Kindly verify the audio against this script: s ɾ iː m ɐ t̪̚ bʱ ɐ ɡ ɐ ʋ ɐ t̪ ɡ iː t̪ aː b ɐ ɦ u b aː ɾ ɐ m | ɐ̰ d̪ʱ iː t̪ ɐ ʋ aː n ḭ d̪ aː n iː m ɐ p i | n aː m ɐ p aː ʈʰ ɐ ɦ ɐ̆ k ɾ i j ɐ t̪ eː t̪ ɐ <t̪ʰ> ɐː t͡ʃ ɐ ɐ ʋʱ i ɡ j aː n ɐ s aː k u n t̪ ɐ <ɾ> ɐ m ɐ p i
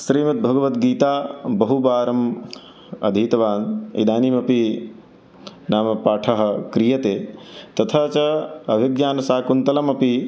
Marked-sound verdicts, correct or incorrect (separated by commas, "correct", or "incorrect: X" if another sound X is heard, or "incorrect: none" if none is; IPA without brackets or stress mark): correct, incorrect: l